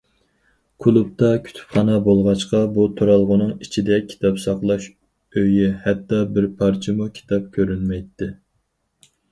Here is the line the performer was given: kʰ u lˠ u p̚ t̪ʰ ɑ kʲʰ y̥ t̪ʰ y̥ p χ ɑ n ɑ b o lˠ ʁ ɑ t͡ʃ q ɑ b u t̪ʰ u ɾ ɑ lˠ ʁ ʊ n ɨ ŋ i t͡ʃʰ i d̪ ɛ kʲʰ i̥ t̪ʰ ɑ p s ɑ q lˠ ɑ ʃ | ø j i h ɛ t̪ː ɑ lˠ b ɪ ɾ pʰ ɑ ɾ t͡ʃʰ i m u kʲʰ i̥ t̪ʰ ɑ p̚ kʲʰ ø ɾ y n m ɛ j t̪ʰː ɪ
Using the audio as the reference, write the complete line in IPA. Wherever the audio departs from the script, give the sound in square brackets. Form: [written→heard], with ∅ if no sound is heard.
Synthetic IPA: kʰ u lˠ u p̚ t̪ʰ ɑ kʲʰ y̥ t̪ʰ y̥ p χ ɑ n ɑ b o lˠ ʁ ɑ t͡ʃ q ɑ b u t̪ʰ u ɾ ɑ lˠ ʁ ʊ n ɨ ŋ i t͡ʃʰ i d̪ ɛ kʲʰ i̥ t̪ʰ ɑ p s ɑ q lˠ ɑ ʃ | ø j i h ɛ t̪ː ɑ [lˠ→∅] b ɪ ɾ pʰ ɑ ɾ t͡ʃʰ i m u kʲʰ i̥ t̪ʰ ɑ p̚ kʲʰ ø ɾ y n m ɛ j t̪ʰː ɪ